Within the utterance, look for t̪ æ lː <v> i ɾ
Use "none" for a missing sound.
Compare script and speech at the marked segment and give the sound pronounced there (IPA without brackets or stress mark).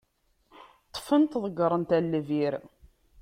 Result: v